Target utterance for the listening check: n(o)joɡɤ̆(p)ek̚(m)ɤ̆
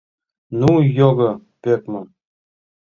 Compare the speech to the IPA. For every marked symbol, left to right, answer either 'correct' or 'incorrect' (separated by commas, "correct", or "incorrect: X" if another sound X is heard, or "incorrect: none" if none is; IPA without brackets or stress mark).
incorrect: u, correct, correct